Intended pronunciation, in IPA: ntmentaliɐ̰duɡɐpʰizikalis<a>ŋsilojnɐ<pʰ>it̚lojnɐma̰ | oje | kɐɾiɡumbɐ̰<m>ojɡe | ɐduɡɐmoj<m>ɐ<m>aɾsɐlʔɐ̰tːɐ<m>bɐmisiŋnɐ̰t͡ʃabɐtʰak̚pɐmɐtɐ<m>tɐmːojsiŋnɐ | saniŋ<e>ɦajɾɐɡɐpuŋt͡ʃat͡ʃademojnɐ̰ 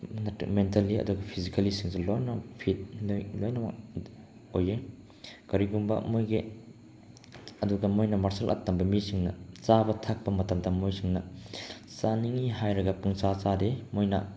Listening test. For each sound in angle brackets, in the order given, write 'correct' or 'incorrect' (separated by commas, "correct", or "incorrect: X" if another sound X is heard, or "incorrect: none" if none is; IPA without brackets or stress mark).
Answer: incorrect: i, correct, correct, incorrect: n, correct, correct, correct, incorrect: i